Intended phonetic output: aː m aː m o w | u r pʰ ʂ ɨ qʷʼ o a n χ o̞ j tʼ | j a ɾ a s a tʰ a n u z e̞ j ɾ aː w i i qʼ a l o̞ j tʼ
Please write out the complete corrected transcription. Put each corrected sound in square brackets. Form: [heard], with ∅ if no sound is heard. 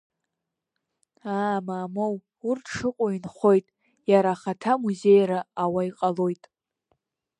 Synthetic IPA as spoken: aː m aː m o w | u r [tʰ] ʂ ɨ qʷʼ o [i] n χ o̞ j tʼ | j a ɾ a [χ] a tʰ a [m] u z e̞ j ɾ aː w [a] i qʼ a l o̞ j tʼ